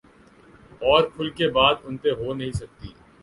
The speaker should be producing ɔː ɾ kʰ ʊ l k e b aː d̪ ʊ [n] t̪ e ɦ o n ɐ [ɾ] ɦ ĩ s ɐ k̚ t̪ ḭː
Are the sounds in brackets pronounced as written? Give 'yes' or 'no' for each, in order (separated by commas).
yes, no